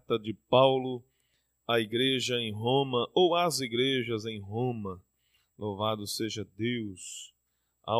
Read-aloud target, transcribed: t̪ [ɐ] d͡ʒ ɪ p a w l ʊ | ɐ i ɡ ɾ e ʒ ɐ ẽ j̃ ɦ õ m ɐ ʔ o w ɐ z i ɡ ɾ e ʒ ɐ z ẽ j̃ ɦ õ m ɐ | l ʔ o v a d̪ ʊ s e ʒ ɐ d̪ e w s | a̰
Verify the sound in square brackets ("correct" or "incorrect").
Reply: correct